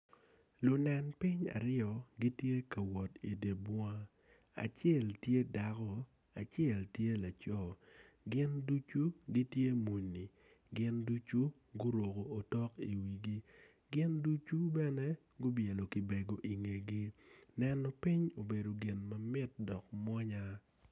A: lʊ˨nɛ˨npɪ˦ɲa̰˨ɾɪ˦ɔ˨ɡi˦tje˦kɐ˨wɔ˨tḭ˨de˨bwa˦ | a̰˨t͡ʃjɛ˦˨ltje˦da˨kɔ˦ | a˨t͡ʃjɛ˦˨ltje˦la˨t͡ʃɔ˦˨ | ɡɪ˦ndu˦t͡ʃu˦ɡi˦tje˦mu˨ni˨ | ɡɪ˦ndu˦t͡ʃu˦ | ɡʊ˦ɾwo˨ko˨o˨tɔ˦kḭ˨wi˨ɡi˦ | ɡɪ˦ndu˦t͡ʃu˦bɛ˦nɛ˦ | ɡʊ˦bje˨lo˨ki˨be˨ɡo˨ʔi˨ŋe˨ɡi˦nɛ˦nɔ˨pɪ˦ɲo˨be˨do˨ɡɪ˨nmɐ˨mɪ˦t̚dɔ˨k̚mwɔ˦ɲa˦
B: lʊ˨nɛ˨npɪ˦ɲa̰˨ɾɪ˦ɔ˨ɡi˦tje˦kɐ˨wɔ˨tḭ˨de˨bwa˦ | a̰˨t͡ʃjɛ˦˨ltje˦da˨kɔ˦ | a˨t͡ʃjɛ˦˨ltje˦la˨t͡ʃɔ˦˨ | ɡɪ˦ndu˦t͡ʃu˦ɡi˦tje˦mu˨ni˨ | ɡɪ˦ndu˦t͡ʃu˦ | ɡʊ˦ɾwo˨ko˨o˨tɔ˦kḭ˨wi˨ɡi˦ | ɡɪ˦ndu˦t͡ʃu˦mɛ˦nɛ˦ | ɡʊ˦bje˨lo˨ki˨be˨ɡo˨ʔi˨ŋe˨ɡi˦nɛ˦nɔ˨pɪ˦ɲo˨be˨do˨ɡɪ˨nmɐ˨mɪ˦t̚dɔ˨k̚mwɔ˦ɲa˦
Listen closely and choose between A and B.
A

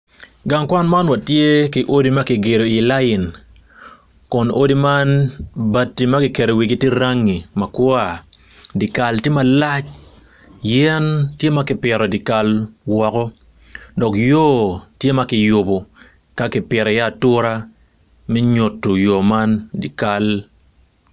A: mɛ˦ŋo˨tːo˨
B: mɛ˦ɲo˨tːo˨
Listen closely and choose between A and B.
B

